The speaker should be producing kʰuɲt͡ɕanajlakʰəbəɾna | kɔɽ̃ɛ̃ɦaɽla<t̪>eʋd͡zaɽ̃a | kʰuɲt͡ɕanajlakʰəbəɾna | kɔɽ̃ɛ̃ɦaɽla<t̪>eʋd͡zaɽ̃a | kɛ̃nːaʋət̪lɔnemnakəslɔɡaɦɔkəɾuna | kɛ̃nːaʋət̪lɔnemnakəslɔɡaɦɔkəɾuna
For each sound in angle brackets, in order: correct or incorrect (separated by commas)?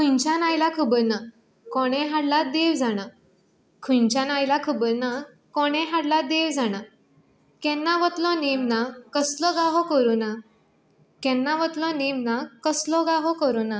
incorrect, incorrect